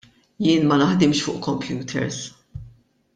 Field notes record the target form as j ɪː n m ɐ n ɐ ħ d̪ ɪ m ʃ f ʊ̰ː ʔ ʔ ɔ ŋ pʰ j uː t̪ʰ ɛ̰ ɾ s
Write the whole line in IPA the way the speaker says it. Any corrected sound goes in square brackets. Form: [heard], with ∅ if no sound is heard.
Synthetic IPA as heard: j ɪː n m ɐ n ɐ ħ d̪ ɪ m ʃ f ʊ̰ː ʔ [k] ɔ [m] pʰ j uː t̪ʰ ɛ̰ ɾ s